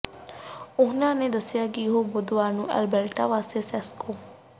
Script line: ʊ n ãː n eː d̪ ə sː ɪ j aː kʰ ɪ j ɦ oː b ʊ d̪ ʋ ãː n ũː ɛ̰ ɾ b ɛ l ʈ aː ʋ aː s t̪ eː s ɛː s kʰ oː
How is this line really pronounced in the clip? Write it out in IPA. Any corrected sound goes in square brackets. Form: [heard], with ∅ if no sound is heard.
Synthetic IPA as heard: ʊ n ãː n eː d̪ ə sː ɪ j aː [k] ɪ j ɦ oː b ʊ d̪ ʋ [aː] n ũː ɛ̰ [l] b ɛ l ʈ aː ʋ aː s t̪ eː s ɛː s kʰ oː